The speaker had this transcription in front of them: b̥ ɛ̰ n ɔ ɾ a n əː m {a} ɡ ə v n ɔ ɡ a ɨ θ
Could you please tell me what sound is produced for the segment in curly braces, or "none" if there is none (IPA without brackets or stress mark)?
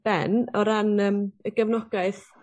ə